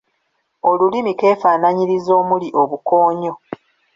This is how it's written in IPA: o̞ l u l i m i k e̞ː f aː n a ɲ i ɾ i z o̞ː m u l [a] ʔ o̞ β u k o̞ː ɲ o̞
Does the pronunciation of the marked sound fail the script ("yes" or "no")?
yes